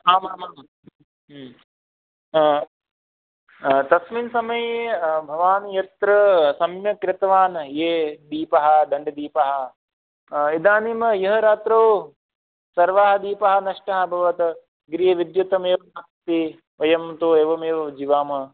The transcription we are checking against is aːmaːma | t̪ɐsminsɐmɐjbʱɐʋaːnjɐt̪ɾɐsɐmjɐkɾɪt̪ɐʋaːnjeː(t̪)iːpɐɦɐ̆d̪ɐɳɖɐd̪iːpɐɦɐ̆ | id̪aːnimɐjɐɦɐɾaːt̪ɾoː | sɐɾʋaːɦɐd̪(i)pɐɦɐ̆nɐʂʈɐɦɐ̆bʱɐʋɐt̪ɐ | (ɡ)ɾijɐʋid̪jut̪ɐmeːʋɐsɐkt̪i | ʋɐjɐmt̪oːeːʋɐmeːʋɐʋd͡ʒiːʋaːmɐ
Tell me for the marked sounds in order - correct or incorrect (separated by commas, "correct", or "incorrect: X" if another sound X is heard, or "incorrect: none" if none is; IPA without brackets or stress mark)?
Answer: incorrect: d̪, incorrect: iː, correct